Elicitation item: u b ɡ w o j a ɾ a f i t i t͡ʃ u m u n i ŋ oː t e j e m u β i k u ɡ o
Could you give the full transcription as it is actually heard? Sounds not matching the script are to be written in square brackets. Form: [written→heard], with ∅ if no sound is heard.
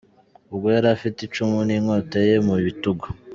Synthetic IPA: u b ɡ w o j a ɾ a f i t i t͡ʃ u m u n i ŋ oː t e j e m u β i [k→t] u ɡ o